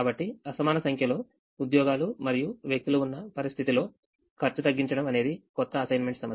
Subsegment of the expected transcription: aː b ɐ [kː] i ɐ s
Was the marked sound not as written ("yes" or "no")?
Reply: yes